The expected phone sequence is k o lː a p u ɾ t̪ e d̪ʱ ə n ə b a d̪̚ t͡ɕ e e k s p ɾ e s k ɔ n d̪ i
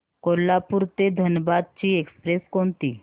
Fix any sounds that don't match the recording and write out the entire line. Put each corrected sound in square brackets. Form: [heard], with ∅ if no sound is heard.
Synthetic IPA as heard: k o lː a p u ɾ t̪ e d̪ʱ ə n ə b a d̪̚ t͡ɕ [i] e k s p ɾ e s k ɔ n [t̪] i